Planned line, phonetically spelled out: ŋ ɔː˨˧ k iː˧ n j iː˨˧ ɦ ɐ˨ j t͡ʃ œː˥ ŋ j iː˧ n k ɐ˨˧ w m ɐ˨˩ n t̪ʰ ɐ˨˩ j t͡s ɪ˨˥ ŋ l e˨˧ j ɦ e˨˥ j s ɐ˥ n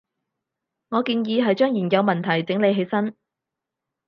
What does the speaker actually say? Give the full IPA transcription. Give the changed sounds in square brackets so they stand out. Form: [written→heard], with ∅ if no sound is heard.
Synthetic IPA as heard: ŋ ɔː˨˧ k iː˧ n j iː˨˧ ɦ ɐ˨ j t͡ʃ œː˥ ŋ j [iː˧→iː˨˩] n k ɐ˨˧ w m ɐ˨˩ n t̪ʰ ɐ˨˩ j t͡s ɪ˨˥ ŋ l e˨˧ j ɦ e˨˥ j s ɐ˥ n